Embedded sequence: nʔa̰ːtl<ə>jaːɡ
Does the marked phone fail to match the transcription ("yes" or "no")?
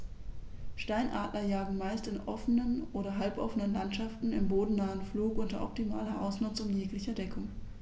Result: yes